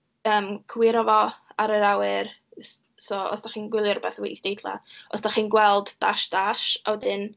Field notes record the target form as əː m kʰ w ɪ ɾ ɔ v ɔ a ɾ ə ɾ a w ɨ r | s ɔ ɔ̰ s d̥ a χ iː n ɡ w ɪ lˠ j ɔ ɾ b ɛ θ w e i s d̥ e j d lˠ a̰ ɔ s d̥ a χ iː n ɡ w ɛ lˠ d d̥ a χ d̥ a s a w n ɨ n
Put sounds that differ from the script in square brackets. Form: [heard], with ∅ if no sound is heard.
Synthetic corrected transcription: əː m kʰ w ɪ ɾ ɔ v ɔ a ɾ ə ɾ a w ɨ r | s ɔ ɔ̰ s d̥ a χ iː n ɡ w ɪ lˠ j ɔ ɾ b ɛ θ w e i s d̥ e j d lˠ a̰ ɔ s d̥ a χ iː n ɡ w ɛ lˠ d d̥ a [ʃ] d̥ a [ʃ] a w [d] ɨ n